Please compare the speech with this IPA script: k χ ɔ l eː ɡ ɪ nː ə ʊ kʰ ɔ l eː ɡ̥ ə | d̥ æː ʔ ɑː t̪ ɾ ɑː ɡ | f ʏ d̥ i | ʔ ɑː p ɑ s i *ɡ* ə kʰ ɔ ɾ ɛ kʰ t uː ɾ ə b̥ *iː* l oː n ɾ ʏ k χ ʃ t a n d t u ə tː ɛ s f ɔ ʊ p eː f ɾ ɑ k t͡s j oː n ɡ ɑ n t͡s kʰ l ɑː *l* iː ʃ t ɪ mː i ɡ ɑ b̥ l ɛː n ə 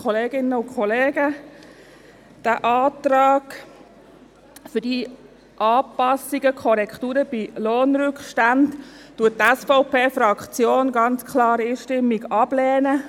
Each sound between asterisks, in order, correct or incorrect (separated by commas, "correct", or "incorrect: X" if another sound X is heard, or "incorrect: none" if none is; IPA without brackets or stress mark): correct, incorrect: i, incorrect: ɾ